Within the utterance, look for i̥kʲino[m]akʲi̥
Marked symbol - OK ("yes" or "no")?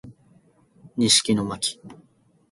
yes